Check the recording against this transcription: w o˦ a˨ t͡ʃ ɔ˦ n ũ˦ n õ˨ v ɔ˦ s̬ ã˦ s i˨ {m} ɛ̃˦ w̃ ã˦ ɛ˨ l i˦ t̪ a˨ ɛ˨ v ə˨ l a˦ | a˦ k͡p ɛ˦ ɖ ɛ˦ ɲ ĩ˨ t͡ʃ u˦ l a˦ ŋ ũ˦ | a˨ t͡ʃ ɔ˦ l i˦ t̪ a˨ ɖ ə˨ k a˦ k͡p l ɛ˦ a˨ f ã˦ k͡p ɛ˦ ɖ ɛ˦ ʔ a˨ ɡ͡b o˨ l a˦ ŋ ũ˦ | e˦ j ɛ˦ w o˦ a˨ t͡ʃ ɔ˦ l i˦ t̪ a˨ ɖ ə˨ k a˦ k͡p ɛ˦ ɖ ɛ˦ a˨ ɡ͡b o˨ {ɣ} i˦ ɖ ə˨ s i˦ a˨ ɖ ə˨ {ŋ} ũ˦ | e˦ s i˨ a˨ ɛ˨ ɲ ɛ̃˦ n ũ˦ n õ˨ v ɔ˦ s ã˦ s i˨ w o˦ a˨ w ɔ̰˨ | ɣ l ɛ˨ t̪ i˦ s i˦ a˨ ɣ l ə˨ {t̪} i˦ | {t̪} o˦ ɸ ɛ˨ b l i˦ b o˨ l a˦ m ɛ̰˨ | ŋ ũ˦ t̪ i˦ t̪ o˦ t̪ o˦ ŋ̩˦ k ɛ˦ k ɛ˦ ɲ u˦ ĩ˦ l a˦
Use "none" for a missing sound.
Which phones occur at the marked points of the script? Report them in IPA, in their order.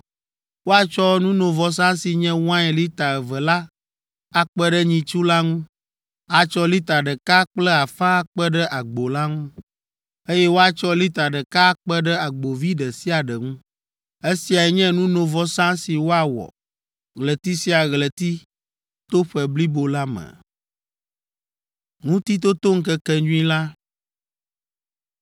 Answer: ɲ, v, ŋ, t̪, t̪

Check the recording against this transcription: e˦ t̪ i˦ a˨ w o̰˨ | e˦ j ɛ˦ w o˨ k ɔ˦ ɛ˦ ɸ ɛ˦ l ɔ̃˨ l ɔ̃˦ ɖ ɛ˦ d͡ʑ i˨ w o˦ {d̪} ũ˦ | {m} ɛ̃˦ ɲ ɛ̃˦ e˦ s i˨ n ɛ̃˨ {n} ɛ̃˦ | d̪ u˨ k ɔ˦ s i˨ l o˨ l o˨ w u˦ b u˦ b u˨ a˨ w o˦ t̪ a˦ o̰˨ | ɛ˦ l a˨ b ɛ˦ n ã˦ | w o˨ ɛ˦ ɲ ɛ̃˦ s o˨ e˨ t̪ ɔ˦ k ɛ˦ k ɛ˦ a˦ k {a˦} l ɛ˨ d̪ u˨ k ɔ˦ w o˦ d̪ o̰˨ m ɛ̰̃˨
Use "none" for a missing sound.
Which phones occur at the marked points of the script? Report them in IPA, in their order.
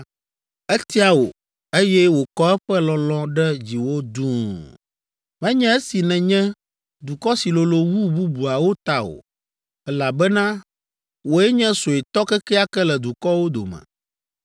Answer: d̪, m, ɲ, ɛ˦

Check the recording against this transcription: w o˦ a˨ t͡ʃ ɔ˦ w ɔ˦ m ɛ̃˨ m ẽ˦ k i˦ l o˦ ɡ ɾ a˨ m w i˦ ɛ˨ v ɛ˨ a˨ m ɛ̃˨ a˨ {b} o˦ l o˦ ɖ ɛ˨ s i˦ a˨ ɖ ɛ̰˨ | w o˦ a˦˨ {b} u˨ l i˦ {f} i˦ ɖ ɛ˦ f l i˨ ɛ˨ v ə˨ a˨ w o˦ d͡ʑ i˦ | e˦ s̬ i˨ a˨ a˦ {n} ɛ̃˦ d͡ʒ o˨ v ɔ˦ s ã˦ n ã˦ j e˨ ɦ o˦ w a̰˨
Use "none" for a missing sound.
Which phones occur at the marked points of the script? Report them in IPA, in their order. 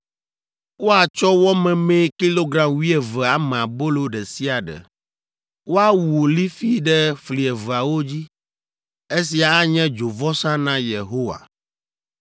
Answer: b, w, f, ɲ

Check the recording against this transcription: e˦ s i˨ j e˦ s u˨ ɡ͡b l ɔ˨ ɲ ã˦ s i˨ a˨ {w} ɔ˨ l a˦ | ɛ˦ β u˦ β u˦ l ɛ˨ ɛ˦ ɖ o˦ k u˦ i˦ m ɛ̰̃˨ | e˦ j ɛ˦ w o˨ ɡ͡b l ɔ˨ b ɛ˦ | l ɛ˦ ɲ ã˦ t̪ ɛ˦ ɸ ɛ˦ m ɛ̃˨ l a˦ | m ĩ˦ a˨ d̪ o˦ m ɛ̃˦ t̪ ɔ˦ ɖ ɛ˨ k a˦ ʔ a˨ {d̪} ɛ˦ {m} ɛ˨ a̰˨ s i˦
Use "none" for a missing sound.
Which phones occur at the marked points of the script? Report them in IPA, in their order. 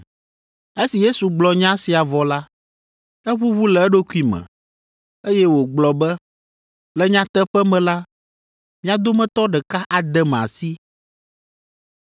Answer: v, d̪, m

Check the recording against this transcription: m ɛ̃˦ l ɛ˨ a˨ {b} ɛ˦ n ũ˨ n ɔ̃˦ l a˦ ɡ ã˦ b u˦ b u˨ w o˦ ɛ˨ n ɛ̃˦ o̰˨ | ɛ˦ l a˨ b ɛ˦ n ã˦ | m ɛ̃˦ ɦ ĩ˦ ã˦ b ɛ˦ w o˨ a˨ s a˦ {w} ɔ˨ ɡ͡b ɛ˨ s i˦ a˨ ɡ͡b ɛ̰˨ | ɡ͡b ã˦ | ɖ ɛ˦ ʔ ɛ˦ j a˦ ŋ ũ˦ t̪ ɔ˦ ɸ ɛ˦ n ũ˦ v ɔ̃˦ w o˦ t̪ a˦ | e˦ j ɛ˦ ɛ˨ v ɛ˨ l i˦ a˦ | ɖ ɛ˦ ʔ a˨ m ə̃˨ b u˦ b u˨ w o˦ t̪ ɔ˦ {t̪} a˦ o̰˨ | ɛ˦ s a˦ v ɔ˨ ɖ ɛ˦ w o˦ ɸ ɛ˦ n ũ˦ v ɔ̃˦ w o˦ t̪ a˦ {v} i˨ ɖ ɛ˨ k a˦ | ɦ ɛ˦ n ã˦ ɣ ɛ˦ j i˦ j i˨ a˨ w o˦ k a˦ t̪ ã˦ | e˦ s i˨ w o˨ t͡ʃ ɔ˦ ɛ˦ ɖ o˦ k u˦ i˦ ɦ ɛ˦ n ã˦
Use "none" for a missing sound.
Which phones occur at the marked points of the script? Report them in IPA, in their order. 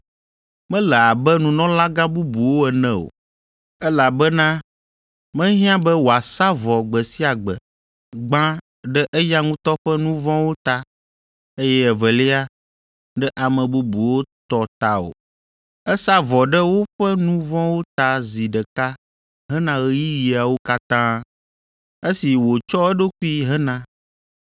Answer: b, v, t̪, z

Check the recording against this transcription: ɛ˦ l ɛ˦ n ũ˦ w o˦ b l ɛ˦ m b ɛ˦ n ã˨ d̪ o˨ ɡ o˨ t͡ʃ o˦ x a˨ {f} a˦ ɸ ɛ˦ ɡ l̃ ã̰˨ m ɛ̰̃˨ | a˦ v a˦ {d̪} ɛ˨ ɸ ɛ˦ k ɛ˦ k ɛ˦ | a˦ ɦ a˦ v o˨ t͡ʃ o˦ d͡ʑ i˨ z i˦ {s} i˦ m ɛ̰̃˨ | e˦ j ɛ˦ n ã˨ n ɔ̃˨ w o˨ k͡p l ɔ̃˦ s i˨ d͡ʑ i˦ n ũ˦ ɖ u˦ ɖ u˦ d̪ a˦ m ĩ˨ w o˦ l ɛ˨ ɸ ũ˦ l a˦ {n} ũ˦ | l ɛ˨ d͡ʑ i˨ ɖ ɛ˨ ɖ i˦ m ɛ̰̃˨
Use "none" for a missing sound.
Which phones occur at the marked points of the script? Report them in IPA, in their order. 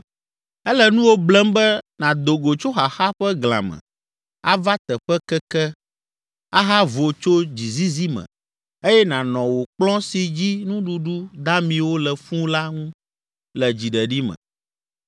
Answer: x, t̪, z, ŋ

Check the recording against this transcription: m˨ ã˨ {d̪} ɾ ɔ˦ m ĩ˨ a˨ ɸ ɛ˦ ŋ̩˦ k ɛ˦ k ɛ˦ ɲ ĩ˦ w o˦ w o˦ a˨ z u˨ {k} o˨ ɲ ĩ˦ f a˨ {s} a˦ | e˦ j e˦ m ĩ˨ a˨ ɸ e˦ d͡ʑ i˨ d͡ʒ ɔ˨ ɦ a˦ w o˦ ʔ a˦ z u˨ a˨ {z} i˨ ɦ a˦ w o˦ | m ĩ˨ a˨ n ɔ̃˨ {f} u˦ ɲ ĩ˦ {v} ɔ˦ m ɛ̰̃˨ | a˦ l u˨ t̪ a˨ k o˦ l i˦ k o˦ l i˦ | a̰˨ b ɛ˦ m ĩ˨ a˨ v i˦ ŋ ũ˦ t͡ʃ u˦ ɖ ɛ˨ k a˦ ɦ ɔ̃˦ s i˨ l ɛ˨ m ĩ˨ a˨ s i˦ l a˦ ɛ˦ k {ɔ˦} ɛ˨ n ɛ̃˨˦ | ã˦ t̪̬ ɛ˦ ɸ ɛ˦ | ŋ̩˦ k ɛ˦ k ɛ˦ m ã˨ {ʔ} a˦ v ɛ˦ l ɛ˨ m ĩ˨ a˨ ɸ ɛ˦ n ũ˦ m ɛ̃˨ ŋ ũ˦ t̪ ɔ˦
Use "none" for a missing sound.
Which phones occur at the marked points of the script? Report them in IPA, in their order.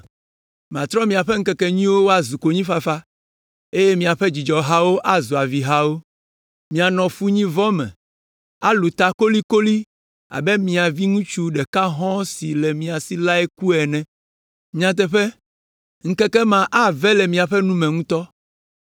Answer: t̪, k, f, v, f, v, u˦, ʔ

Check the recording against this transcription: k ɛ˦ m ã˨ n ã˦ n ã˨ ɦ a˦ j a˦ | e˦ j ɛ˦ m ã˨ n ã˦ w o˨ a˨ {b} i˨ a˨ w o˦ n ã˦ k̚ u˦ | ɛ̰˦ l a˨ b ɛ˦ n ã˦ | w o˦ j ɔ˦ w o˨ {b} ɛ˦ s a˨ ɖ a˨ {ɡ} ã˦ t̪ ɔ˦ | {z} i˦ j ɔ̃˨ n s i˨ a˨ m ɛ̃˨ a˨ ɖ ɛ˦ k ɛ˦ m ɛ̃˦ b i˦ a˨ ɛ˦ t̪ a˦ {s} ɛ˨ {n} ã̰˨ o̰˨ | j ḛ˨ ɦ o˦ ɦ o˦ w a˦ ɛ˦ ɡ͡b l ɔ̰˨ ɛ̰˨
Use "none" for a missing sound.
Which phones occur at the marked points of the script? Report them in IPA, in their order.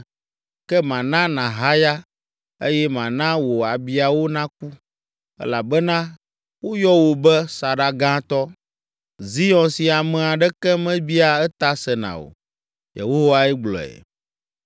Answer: b, b, ɡ, z, s, n

